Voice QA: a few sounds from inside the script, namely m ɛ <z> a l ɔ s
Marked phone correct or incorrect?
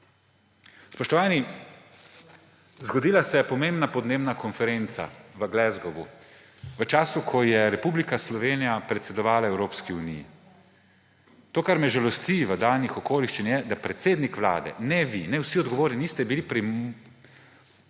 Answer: incorrect: ʒ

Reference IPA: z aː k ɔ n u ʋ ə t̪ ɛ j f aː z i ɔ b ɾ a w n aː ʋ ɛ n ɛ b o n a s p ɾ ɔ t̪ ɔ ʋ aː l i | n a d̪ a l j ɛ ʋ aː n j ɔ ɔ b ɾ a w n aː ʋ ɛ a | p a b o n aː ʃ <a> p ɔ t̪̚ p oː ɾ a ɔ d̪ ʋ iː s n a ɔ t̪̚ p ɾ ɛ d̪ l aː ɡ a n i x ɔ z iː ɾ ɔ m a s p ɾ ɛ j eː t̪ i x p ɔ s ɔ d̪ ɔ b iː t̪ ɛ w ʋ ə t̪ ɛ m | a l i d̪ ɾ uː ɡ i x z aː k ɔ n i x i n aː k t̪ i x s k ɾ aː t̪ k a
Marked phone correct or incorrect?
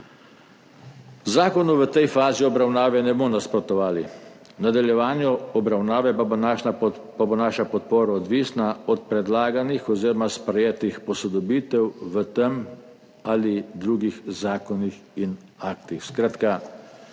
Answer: correct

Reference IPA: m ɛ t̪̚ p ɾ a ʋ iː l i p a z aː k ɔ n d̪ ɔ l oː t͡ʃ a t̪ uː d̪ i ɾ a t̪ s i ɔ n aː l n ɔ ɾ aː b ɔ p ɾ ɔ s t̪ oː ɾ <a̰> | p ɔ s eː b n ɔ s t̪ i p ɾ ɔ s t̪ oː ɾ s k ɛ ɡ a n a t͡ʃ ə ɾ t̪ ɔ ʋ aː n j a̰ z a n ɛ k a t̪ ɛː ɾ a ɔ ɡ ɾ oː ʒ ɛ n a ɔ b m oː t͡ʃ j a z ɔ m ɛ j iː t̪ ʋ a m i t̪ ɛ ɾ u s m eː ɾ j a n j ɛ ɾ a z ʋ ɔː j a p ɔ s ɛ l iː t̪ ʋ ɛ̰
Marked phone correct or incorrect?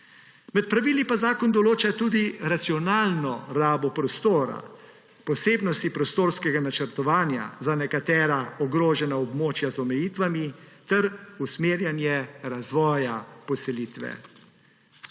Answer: correct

